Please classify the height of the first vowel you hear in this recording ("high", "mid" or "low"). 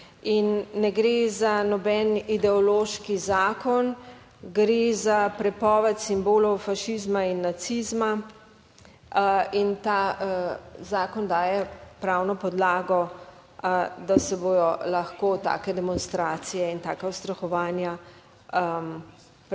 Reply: high